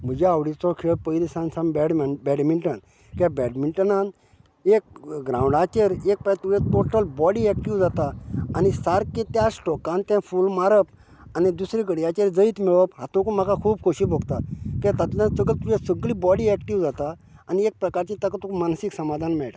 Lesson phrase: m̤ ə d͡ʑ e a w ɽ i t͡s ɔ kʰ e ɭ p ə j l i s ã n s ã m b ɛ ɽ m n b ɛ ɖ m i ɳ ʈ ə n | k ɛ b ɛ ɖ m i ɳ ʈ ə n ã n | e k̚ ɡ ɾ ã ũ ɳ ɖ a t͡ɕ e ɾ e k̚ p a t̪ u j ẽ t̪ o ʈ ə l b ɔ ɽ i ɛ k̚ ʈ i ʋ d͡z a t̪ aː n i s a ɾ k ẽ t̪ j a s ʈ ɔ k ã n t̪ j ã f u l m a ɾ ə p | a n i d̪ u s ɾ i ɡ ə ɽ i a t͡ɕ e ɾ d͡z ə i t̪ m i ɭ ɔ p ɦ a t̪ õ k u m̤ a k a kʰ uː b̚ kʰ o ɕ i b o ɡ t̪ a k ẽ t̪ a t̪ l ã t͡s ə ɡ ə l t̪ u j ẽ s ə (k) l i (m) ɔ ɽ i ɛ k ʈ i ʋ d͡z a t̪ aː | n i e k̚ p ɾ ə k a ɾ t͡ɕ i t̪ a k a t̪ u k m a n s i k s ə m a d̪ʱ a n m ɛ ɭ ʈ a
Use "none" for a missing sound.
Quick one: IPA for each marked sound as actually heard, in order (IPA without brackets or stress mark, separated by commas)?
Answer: ɡ, b